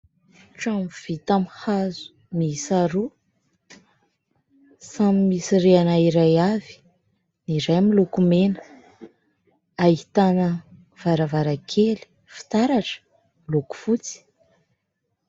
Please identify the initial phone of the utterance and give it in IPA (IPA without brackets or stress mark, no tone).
ʈ͡ʂ